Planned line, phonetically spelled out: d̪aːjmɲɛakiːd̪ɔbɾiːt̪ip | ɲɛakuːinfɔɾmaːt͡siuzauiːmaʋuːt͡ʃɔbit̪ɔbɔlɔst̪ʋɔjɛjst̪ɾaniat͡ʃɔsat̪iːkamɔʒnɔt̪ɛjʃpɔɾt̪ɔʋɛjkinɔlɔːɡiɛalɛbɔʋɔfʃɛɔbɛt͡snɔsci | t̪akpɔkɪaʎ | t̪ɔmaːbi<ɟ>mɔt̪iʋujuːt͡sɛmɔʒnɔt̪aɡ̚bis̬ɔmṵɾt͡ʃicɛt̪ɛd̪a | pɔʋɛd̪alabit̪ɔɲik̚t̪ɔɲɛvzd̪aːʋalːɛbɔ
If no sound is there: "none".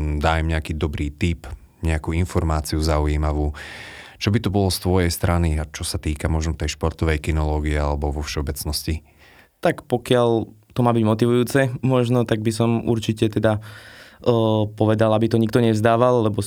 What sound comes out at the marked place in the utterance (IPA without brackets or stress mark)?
ɟ